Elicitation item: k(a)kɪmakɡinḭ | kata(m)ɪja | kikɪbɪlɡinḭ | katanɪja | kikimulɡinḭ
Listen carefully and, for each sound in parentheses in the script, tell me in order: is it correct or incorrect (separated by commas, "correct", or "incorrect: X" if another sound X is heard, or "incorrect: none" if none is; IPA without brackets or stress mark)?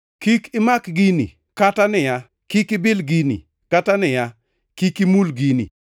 incorrect: i, incorrect: n